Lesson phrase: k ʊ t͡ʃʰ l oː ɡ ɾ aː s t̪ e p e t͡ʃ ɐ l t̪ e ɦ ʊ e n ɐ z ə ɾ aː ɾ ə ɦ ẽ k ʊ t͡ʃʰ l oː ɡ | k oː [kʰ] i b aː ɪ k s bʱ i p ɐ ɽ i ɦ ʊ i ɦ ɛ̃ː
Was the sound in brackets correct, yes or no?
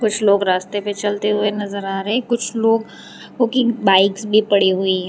no